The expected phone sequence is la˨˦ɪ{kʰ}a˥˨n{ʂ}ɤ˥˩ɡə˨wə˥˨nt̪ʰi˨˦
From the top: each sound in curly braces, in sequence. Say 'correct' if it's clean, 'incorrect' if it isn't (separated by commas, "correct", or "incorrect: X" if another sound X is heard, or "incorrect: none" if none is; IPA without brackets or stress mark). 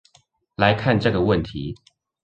correct, incorrect: ʈ͡ʂ